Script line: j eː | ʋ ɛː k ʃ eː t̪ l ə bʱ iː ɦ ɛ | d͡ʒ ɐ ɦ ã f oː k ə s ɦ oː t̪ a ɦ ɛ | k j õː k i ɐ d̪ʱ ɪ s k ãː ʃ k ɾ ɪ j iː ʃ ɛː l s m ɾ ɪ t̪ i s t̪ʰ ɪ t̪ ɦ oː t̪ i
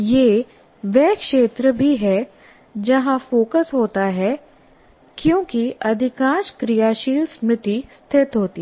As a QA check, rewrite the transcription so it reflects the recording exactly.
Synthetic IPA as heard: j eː | ʋ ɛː k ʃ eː t̪ ɾ ə bʱ i ɦ ɛ | d͡ʒ ɐ ɦ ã f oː k ə s ɦ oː t̪ a ɦ ɛ | k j õː k i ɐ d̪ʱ ɪ k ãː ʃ k ɾ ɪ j aː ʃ iː l s m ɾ ɪ t̪ i s t̪ʰ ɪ t̪ ɦ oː t̪ i